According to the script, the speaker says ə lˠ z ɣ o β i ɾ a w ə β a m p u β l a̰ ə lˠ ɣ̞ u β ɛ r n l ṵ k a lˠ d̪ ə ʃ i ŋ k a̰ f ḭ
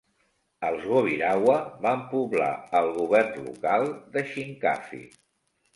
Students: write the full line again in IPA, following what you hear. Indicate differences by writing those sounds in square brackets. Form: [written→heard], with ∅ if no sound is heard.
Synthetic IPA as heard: ə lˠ z ɣ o β i ɾ a w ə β a m p u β l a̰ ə lˠ ɣ̞ u β ɛ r n l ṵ k a lˠ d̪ ə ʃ i ŋ k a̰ f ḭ